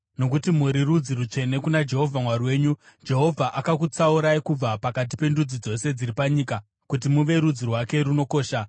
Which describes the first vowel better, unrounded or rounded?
rounded